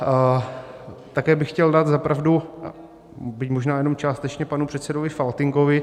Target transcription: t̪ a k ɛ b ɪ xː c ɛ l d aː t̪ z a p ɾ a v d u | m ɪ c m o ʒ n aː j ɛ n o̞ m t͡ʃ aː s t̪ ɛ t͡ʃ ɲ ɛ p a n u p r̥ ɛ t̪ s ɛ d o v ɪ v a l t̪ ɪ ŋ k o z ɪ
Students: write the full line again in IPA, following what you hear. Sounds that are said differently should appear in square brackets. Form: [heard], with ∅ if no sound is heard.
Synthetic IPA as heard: t̪ a k [ɛː] b ɪ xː c ɛ l d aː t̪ z a p ɾ a v d u | [b] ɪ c m o ʒ n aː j ɛ n o̞ m t͡ʃ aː s t̪ ɛ t͡ʃ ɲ ɛ p a n u p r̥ ɛ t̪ s ɛ d o v ɪ [f] a l t̪ ɪ ŋ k o [v] ɪ